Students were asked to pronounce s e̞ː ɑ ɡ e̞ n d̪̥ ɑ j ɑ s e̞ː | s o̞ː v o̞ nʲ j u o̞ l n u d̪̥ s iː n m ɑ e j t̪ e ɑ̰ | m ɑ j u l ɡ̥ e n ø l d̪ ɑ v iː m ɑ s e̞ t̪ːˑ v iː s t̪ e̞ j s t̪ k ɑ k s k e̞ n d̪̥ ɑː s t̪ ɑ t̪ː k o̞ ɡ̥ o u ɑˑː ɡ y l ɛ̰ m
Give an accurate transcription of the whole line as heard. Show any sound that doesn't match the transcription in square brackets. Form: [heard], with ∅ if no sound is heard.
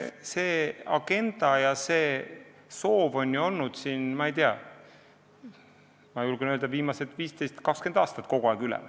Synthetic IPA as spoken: s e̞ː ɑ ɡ e̞ n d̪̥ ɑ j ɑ s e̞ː | s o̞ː v o̞ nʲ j u o̞ l n u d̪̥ s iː n m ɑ e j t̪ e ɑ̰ | m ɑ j u l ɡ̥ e n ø l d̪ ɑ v iː m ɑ s e̞ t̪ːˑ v iː s t̪ e̞ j s t̪ k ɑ k s k e̞ n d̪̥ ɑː s t̪ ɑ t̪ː k o̞ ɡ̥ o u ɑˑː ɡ y l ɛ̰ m